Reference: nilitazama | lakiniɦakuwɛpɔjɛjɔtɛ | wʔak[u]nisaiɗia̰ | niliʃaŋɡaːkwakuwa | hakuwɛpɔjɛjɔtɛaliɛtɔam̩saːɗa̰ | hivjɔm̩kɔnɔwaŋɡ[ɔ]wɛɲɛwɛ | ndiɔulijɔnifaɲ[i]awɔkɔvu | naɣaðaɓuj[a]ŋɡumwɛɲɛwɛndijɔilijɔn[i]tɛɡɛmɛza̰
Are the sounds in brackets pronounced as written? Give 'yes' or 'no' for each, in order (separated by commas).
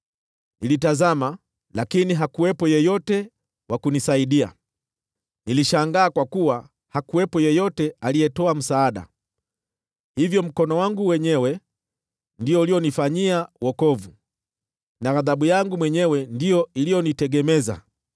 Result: yes, no, yes, yes, yes